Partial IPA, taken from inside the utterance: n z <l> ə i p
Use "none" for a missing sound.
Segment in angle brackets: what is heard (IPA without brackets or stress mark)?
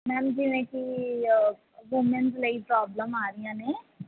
l